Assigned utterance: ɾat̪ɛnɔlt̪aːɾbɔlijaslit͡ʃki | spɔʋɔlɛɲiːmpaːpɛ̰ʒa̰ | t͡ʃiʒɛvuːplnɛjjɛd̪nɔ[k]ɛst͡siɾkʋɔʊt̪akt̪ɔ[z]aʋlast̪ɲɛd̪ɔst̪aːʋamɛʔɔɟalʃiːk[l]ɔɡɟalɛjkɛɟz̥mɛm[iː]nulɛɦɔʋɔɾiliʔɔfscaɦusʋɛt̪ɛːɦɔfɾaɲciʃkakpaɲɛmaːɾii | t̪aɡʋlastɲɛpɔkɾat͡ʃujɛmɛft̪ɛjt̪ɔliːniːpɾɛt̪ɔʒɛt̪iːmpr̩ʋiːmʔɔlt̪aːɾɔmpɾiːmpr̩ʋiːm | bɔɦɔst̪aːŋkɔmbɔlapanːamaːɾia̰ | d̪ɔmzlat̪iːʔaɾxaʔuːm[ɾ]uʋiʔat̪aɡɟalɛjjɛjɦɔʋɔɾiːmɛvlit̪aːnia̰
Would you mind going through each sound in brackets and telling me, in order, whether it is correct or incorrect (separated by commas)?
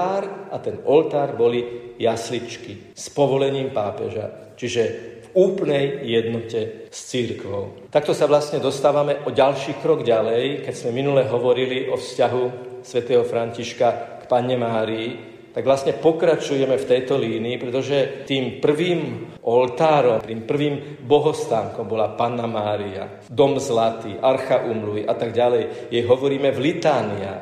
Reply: incorrect, incorrect, incorrect, incorrect, incorrect